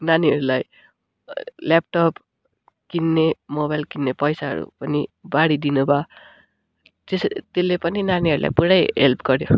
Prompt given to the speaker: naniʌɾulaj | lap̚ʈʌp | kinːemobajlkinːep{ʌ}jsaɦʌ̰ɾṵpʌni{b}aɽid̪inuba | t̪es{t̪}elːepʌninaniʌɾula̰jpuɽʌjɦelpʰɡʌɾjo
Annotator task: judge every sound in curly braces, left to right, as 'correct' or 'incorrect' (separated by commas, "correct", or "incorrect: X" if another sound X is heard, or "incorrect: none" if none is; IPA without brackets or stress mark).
correct, correct, correct